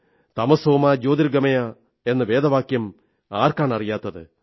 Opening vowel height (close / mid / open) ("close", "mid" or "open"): open